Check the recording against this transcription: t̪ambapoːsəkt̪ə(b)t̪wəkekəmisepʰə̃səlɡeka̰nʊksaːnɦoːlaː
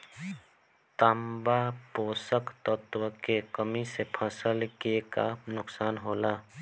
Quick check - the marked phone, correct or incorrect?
incorrect